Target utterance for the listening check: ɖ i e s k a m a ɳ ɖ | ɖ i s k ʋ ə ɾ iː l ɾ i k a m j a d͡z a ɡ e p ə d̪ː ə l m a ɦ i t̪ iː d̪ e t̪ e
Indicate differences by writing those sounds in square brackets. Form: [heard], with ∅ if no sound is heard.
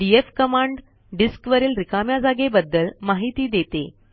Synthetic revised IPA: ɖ i e [f] k [ə] m a ɳ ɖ | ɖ i s k ʋ ə ɾ iː l ɾ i k a m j a d͡z a ɡ e [b] ə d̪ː ə l m a ɦ i t̪ iː d̪ e t̪ e

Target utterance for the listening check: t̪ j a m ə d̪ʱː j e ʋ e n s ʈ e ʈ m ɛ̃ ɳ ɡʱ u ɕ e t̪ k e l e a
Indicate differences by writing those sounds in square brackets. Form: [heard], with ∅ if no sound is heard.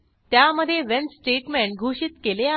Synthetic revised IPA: t̪ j a m ə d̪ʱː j e ʋ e n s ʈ e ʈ m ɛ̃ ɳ ɡʱ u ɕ [i] t̪ k e l e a

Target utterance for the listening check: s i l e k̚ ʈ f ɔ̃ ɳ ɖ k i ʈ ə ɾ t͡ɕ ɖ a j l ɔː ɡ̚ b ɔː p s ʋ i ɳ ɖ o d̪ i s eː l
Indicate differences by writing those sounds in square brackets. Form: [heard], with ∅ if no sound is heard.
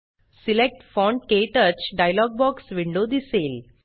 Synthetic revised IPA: s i l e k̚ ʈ f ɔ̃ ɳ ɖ k [e] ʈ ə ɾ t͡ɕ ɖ a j l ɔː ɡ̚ b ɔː [k] s ʋ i ɳ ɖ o d̪ i s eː l

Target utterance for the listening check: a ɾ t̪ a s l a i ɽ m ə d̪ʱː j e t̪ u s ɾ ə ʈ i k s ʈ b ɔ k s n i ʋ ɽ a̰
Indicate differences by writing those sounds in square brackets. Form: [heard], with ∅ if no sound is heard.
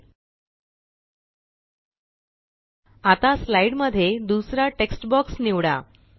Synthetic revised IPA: a [∅] t̪ a s l a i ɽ m ə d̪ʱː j e [d̪] u s ɾ [a] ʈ [e] k s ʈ b ɔ k s n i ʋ ɽ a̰

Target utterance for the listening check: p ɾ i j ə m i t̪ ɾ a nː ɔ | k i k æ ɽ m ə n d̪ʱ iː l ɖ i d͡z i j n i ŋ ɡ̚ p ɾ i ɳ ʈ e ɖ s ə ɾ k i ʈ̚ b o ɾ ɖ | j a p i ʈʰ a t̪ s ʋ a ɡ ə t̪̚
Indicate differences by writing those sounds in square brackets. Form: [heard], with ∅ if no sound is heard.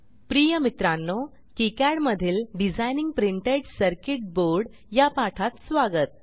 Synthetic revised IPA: p ɾ i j ə m i t̪ ɾ a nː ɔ | k i k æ ɽ m ə [∅] d̪ʱ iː l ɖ i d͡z [a] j n i ŋ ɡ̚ p ɾ i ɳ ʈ e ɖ s ə ɾ k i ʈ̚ b o ɾ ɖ | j a p [a] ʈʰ a t̪ s ʋ a ɡ ə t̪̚

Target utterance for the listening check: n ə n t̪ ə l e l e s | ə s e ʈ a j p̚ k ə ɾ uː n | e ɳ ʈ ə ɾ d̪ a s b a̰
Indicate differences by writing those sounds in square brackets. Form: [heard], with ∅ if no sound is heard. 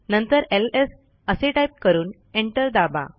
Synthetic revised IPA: n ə n t̪ ə [ɾ] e l e s | ə s e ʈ a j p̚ k ə ɾ uː n | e ɳ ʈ ə ɾ d̪ a [∅] b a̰

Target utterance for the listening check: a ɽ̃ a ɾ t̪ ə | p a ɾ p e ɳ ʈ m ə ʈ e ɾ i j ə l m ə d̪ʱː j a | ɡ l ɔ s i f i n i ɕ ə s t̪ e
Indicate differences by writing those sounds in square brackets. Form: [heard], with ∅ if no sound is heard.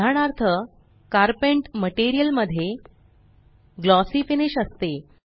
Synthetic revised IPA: a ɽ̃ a ɾ [t̪ʰ] ə | [k] a ɾ p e ɳ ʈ m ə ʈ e ɾ i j ə l m ə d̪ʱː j [e] | ɡ l ɔ s i f i n i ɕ ə s t̪ e

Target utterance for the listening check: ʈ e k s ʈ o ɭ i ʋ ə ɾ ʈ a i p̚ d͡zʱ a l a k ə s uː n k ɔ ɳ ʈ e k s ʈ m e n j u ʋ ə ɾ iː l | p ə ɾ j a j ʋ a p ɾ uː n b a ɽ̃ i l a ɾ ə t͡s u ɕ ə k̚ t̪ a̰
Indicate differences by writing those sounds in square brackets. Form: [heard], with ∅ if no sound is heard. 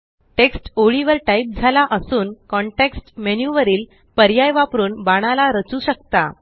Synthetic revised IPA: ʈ e k s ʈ o ɭ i ʋ ə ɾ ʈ a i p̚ d͡zʱ a l a [ʔ] ə s uː n k ɔ ɳ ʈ e k s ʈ m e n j u ʋ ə ɾ iː l | p ə ɾ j a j ʋ a p ɾ uː n b a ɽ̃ [a] l a ɾ ə t͡s u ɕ ə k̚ t̪ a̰

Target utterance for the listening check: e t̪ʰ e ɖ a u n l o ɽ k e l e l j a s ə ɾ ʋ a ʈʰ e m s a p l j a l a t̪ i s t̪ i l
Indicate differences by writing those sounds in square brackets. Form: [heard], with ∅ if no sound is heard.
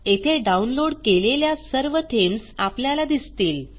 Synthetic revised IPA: e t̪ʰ e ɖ a u n l o ɽ k e l e l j a s ə ɾ ʋ [ə] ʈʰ e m s a p l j a l a [d̪] i s t̪ [iː] l

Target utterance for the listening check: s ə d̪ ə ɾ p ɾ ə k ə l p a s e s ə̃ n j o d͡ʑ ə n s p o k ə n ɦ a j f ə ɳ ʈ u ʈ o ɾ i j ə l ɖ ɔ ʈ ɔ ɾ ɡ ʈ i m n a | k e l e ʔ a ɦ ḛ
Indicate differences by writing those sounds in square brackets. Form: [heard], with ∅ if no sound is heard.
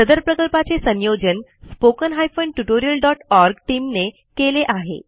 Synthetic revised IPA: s ə d̪ ə ɾ p ɾ ə k ə l p a [t͡s] e s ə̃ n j o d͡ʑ ə n s p o k ə n ɦ a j f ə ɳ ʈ u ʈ o ɾ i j ə l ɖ ɔ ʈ ɔ ɾ ɡ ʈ i m n [e] | k e l e ʔ a ɦ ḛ

